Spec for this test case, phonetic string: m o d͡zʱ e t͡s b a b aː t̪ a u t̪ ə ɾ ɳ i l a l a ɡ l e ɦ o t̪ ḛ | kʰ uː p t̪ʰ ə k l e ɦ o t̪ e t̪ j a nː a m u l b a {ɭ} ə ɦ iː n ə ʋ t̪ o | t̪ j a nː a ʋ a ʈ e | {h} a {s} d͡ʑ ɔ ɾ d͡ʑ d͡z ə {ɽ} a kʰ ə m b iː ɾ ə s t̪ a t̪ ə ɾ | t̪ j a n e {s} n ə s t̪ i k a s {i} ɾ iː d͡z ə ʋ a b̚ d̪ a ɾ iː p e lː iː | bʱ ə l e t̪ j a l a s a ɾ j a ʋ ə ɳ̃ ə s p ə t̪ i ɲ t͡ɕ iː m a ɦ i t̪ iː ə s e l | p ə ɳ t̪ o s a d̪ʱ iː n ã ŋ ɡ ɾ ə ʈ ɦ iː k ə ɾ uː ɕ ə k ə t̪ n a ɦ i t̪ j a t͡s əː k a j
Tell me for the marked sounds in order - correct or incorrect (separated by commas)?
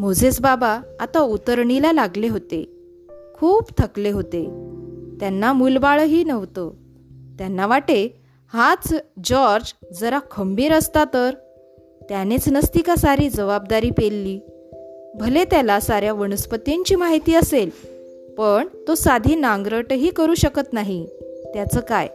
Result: correct, correct, incorrect, incorrect, incorrect, incorrect